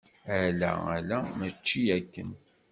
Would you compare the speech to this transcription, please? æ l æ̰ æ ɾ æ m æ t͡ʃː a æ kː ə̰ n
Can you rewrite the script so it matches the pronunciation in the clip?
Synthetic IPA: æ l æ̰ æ l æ m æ t͡ʃː i æ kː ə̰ n